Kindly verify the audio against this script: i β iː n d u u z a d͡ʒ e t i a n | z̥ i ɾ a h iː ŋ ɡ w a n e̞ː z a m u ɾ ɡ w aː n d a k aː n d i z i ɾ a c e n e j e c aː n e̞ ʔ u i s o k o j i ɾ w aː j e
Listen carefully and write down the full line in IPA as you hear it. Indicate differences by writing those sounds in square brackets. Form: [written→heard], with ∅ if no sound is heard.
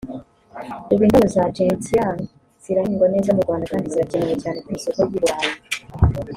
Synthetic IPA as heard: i β iː n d u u z a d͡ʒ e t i a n | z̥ i ɾ a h iː ŋ ɡ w a n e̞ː z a m u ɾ ɡ w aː n d a k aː n d i z i ɾ a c e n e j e c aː n e̞ [ʔ→k] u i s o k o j i ɾ w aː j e